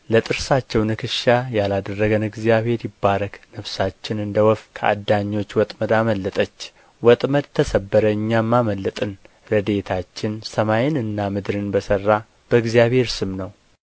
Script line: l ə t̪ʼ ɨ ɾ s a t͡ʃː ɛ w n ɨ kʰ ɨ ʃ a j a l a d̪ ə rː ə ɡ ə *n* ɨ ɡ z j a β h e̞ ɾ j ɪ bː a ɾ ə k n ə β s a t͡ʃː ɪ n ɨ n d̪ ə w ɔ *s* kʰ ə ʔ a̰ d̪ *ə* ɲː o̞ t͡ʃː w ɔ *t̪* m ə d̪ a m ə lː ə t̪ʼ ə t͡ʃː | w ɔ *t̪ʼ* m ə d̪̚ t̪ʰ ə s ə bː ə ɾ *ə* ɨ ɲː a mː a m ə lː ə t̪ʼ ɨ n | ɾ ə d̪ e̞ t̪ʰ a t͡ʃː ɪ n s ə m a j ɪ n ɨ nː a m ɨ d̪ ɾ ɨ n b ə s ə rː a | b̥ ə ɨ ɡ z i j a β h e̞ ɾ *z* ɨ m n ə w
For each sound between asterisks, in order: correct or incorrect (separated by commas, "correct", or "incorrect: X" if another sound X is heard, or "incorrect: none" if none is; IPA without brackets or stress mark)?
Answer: correct, incorrect: f, incorrect: a, incorrect: t̪ʼ, correct, correct, incorrect: s